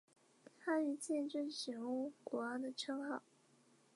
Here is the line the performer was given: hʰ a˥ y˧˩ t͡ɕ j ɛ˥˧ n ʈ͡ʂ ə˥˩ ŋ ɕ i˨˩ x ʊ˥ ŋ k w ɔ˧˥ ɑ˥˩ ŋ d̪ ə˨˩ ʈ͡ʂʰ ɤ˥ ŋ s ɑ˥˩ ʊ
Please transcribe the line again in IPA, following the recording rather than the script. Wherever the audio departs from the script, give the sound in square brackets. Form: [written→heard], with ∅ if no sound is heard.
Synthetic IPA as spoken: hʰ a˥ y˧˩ t͡ɕ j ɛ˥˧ n ʈ͡ʂ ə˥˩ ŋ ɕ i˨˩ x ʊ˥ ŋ k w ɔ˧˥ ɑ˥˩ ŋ d̪ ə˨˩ ʈ͡ʂʰ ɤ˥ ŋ [s→x] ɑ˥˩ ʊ